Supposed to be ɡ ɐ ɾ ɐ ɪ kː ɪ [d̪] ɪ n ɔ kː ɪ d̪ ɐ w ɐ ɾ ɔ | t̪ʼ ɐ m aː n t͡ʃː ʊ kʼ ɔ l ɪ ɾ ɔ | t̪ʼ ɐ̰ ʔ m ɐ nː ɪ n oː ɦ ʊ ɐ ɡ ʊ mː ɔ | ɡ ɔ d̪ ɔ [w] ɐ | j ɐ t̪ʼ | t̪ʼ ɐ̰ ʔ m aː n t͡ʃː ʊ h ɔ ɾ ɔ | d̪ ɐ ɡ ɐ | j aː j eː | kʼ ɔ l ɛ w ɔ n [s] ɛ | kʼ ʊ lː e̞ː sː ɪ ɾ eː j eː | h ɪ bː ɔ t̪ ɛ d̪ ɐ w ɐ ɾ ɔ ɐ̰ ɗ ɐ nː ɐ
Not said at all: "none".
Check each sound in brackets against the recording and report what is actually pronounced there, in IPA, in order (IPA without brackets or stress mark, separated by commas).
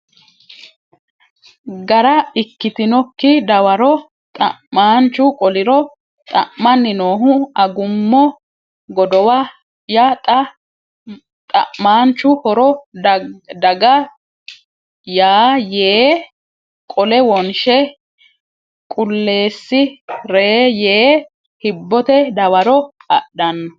t̪, w, ʃ